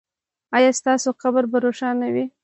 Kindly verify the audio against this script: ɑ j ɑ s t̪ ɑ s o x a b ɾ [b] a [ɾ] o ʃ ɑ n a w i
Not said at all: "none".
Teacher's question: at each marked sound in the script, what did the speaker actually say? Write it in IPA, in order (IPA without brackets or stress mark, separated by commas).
b, ɾ